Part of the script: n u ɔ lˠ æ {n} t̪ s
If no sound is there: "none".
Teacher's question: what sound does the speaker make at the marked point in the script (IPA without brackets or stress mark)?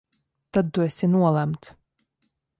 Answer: m